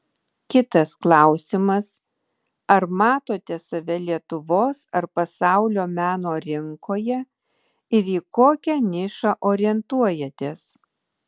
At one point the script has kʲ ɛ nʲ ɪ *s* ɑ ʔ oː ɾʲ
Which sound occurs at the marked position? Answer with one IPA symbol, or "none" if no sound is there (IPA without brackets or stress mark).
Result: ʃ